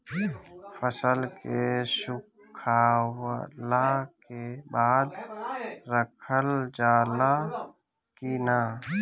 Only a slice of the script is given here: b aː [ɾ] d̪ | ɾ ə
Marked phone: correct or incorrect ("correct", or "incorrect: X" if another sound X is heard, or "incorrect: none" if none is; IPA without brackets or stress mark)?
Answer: incorrect: none